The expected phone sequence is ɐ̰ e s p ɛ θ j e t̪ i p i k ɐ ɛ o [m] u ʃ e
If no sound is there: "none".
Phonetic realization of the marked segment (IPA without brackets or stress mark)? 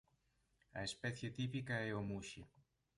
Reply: m